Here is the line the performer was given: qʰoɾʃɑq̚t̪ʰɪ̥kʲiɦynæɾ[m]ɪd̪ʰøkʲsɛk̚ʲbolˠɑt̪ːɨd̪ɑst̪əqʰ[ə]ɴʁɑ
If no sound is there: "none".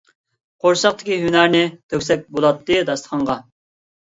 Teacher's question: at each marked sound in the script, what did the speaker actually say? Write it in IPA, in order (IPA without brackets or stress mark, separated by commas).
n, ɑ